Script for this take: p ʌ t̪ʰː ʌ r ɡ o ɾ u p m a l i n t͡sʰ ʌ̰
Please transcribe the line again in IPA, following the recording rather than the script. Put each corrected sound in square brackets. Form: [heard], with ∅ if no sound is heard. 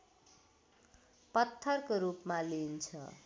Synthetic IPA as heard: p ʌ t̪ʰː ʌ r [k] o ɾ u p m a l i n t͡sʰ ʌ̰